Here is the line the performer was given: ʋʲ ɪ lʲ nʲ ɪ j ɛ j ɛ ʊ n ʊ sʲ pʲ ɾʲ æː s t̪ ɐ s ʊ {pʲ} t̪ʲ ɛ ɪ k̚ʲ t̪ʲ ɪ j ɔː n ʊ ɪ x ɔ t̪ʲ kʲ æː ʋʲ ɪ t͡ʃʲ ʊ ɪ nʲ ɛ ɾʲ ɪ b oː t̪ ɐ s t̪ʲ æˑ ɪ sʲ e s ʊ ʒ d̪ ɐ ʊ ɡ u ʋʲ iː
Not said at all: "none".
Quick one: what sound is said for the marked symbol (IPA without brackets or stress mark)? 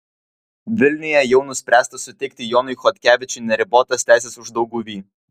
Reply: none